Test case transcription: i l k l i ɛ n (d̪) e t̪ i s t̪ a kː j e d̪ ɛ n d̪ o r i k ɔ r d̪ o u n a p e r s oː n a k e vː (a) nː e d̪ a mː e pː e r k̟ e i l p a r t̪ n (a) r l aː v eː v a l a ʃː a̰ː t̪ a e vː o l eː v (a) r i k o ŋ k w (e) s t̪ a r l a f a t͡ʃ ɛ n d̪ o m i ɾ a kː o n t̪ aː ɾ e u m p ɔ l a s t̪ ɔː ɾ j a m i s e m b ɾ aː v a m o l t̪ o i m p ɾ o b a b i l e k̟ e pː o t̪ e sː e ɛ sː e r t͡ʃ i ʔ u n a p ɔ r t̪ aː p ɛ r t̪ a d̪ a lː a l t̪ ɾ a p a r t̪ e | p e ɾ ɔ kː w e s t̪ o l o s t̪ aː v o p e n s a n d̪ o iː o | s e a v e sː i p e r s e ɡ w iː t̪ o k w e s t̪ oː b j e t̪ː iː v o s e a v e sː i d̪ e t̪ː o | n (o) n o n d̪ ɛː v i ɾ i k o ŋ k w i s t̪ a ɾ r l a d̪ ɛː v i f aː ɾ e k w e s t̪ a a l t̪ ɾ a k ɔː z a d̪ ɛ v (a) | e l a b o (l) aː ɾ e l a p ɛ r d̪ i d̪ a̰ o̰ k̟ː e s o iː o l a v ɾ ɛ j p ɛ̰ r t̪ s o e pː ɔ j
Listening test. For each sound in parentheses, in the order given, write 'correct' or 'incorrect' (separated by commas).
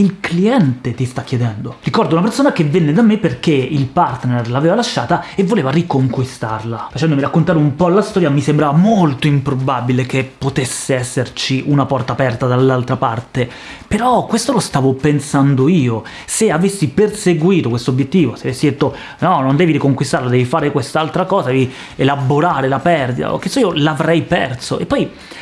incorrect, incorrect, incorrect, correct, incorrect, incorrect, incorrect, incorrect